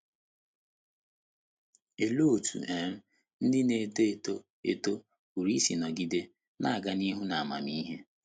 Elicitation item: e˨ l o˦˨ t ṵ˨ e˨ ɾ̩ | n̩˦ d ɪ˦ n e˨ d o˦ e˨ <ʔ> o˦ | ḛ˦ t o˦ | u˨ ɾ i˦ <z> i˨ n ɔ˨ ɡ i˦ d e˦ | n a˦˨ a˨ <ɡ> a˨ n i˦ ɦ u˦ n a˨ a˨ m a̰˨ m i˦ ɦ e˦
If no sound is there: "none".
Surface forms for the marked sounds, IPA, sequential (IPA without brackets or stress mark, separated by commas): t, s, ɡ